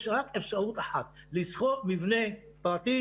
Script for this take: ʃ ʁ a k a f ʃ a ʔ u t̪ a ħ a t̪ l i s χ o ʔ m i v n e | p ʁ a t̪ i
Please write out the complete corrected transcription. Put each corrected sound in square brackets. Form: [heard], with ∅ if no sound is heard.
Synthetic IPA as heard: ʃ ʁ a k [e] f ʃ a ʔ u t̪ a ħ a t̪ l i s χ o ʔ m i v n e | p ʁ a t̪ i